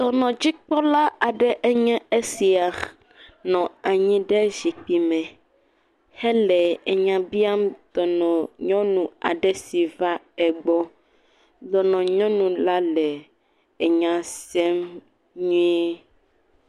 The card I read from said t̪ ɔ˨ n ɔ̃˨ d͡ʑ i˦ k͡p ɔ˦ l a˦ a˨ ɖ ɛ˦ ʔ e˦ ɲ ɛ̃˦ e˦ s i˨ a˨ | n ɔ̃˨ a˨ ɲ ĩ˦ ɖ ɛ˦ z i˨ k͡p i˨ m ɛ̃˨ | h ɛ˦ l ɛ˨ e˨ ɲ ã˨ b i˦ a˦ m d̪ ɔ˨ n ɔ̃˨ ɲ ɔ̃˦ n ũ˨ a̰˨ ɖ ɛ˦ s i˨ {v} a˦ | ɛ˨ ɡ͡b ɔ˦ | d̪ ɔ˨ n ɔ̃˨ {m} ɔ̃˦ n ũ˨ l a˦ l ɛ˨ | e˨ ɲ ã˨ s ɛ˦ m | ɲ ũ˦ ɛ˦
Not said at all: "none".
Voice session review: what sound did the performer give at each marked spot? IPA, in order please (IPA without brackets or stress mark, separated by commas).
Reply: v, ɲ